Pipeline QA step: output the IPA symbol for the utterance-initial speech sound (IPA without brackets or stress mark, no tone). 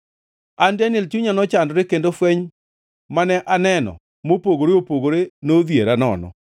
a